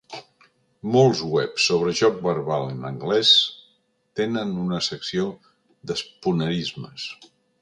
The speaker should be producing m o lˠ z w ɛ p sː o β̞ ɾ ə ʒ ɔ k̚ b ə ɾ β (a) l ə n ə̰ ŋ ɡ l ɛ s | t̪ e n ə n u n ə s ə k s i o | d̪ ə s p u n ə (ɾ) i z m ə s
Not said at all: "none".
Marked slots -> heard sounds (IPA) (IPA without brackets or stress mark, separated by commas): a, ɾ